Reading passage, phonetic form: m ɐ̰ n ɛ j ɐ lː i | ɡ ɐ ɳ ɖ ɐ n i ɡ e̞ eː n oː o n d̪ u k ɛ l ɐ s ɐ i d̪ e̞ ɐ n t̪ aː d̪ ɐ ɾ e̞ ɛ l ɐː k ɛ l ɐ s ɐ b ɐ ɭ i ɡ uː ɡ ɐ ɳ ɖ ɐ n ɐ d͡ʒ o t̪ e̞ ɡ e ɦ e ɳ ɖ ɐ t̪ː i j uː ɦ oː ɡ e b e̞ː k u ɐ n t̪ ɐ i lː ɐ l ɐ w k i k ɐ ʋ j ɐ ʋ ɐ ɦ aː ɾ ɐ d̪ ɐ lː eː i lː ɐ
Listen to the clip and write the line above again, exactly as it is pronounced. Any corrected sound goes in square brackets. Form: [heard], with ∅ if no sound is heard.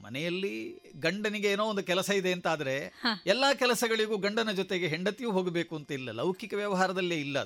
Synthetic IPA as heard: m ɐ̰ n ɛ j ɐ lː i | ɡ ɐ ɳ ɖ ɐ n i ɡ e̞ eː n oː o n d̪ u k ɛ l ɐ s ɐ i d̪ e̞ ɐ n t̪ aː d̪ ɐ ɾ e̞ ɛ [lː] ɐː k ɛ l ɐ s ɐ [ɡ] ɐ ɭ i ɡ uː ɡ ɐ ɳ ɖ ɐ n ɐ d͡ʒ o t̪ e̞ ɡ e ɦ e ɳ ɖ ɐ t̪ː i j uː ɦ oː ɡ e b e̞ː k u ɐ n t̪ ɐ i lː ɐ l ɐ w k i k ɐ ʋ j ɐ ʋ ɐ ɦ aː ɾ ɐ d̪ ɐ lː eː i lː ɐ